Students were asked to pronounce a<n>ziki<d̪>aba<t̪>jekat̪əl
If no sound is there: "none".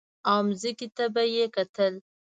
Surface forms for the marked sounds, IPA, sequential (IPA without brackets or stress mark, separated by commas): m, t̪, none